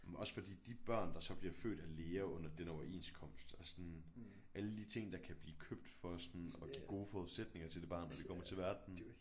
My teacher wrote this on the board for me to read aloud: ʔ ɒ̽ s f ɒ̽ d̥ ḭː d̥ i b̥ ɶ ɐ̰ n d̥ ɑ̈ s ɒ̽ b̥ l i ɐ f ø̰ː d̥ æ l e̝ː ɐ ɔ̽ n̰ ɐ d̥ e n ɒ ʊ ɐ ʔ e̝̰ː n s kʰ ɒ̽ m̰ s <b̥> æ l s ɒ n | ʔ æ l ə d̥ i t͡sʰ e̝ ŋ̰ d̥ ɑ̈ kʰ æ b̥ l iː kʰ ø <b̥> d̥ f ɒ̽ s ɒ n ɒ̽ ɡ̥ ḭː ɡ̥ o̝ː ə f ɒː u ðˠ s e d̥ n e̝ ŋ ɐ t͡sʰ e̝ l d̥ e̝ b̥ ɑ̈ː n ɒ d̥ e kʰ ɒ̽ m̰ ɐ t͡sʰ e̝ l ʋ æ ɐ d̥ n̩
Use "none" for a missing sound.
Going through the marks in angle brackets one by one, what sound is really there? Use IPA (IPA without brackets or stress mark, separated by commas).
d̥, b̥